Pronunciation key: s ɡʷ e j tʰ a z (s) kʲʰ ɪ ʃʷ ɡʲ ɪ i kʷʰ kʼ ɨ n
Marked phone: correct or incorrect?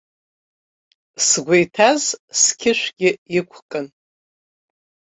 correct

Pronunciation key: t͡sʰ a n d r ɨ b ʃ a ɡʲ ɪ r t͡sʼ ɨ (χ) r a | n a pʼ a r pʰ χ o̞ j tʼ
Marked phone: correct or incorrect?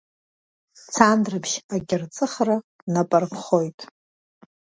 correct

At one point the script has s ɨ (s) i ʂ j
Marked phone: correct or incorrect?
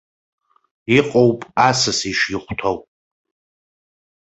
correct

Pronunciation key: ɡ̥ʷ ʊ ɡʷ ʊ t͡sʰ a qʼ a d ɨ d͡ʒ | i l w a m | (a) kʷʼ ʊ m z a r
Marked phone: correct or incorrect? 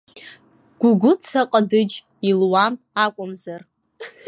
correct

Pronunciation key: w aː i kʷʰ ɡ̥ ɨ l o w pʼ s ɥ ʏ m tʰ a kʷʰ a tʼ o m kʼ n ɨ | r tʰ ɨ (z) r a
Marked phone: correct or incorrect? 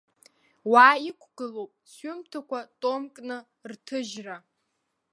incorrect: ʒ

